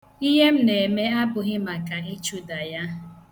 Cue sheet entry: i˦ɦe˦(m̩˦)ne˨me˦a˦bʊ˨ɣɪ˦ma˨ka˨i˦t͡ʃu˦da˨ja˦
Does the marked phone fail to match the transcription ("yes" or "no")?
no